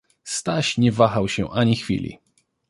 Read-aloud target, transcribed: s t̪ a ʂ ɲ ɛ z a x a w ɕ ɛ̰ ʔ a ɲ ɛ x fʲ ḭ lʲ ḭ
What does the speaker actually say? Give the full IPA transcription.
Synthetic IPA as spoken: s t̪ a ɕ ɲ ɛ v a x a w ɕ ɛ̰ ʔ a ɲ i x fʲ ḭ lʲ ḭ